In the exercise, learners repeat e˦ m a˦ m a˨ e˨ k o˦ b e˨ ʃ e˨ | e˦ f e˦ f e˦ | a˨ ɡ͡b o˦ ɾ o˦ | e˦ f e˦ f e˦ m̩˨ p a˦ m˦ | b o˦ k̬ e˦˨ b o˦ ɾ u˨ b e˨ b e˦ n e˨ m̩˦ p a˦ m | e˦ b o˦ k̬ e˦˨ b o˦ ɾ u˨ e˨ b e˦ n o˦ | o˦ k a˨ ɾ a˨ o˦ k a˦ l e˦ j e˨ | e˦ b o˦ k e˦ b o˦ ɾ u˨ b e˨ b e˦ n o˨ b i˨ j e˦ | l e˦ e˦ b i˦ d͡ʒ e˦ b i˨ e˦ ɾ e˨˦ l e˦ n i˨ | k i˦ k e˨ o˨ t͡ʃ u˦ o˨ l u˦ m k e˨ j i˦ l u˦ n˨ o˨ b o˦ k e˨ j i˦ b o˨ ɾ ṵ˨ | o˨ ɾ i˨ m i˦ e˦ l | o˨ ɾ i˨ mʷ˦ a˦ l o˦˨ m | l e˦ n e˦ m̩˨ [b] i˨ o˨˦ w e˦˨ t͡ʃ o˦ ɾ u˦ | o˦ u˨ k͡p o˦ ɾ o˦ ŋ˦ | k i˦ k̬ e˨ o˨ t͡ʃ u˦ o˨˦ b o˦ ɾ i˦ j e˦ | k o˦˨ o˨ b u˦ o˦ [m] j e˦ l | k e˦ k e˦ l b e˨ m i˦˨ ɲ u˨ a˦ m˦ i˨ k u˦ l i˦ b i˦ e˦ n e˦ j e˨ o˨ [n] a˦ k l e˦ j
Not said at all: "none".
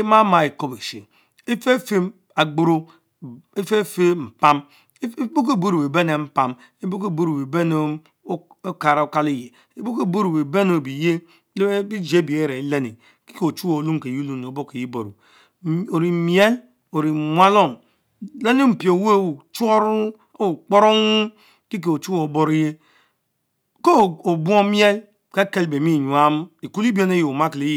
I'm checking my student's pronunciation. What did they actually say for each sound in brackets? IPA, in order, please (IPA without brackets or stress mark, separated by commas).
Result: p, m, m